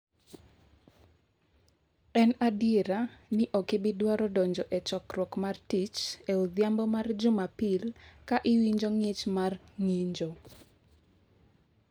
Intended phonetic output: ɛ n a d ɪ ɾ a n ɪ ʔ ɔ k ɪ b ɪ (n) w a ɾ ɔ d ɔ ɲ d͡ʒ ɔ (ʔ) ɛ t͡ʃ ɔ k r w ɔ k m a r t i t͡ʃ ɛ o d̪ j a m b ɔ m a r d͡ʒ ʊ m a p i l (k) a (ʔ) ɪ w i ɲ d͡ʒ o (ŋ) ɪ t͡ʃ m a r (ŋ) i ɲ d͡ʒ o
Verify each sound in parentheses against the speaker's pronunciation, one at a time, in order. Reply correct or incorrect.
incorrect, correct, correct, correct, correct, correct

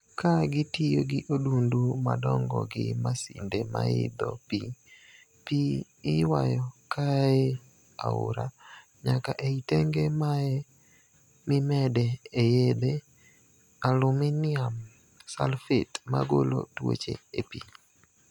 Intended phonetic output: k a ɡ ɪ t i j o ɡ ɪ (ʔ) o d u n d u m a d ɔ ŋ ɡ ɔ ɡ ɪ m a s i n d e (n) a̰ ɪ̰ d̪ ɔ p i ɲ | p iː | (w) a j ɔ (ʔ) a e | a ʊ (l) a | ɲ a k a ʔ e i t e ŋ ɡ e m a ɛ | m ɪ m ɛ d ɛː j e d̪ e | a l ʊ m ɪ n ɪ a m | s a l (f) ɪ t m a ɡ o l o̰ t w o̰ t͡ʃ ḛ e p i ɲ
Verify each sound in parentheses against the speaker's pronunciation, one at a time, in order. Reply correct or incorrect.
correct, incorrect, correct, incorrect, incorrect, correct

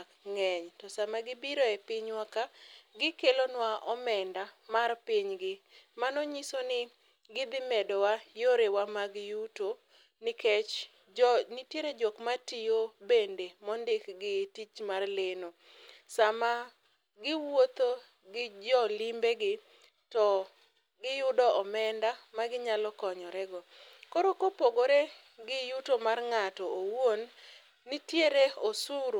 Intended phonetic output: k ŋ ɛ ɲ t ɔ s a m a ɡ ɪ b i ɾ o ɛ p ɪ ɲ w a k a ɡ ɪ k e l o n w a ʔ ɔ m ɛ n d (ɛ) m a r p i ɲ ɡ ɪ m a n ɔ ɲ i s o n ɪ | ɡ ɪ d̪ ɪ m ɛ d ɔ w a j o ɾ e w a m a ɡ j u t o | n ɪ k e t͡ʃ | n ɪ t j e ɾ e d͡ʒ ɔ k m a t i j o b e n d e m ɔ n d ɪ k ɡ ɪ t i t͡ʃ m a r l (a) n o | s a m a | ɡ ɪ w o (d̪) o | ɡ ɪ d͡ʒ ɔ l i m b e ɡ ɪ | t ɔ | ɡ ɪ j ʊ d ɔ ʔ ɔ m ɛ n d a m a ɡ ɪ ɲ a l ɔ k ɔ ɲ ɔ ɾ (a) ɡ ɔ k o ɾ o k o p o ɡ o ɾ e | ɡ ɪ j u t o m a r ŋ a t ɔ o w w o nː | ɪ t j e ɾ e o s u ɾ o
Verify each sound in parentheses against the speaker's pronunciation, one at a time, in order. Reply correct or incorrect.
incorrect, incorrect, incorrect, incorrect

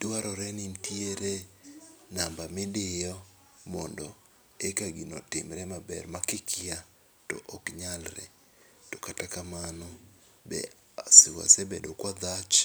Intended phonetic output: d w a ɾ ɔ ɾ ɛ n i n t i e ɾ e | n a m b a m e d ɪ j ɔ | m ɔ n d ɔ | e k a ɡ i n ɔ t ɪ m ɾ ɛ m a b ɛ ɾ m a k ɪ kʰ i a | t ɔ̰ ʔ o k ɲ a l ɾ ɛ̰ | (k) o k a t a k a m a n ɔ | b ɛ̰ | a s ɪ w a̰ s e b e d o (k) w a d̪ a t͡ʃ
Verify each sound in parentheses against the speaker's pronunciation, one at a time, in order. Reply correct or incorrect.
incorrect, correct

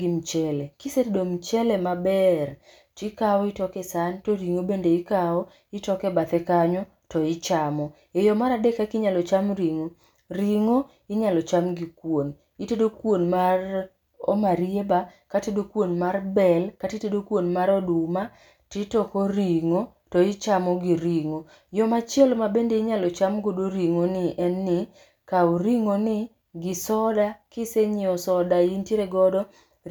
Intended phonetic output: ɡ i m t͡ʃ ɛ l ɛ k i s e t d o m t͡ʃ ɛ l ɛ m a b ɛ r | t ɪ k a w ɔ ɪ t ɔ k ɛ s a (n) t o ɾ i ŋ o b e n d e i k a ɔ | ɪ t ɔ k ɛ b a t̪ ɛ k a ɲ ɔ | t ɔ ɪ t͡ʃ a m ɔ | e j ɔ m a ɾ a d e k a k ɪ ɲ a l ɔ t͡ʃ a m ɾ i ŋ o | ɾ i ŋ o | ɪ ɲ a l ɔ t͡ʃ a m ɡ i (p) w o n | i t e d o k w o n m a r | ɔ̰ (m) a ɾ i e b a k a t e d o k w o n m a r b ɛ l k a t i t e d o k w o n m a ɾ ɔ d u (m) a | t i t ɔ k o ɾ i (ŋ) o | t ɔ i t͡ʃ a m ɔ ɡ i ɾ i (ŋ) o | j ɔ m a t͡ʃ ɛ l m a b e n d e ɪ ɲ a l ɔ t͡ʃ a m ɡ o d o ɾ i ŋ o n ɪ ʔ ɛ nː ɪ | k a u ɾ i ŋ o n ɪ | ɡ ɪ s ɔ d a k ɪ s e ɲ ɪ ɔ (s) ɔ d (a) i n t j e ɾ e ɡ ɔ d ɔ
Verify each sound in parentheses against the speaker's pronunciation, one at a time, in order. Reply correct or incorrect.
correct, incorrect, correct, correct, correct, correct, correct, correct

